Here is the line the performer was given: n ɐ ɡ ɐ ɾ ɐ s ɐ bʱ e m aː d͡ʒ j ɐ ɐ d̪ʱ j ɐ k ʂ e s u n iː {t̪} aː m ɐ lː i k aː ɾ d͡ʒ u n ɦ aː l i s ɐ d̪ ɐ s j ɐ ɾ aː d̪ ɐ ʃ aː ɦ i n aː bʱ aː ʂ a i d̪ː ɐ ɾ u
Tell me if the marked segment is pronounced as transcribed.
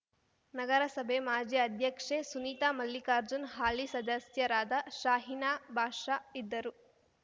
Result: yes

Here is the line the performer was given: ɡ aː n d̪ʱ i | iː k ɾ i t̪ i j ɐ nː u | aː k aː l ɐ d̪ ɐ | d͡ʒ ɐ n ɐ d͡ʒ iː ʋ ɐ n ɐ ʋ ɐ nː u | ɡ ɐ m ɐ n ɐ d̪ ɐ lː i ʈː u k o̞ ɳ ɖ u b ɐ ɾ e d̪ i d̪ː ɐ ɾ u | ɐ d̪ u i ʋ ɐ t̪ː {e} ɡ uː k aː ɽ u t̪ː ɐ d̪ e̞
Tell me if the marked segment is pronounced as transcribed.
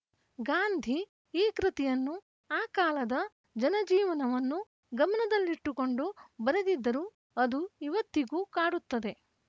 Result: no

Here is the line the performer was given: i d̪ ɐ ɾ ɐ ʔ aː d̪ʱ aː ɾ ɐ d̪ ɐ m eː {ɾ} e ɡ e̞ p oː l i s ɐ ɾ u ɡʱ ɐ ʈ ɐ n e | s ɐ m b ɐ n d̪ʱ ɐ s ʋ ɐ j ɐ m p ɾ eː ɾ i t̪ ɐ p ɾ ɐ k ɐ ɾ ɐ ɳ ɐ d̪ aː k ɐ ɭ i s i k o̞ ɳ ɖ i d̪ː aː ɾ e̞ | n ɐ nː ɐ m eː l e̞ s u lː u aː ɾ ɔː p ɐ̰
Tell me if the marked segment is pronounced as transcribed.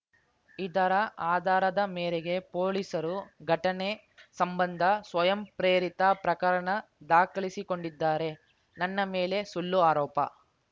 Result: yes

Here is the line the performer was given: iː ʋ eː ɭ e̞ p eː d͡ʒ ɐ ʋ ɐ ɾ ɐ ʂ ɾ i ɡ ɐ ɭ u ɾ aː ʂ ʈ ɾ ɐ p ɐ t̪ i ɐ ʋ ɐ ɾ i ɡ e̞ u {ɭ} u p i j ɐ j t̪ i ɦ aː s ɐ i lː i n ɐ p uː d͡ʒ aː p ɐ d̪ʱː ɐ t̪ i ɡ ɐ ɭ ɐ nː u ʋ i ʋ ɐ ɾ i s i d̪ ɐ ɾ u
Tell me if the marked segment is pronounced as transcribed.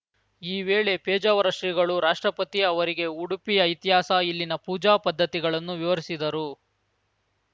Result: no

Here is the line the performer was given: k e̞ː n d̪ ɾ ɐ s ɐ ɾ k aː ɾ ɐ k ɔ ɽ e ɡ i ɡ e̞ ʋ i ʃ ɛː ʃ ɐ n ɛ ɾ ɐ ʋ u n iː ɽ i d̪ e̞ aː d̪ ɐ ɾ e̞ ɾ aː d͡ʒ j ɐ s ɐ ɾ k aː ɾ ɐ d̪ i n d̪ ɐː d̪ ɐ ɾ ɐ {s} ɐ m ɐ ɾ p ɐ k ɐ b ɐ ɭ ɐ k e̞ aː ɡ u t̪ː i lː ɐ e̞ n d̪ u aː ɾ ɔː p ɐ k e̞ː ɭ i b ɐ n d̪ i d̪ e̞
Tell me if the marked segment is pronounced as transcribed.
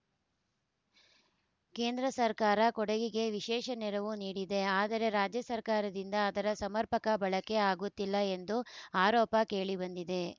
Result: yes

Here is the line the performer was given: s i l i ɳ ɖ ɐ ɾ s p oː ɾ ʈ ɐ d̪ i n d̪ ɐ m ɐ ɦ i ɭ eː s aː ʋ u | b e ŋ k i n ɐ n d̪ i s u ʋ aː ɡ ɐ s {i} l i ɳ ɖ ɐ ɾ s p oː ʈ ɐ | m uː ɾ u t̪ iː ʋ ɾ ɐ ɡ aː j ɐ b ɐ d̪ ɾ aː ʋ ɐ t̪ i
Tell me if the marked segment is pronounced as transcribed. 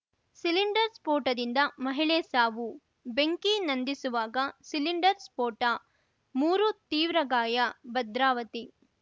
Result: yes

